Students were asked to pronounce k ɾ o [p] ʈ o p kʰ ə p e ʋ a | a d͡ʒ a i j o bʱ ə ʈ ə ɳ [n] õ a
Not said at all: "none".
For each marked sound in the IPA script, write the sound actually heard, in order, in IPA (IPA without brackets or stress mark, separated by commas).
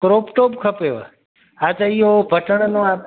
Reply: p, n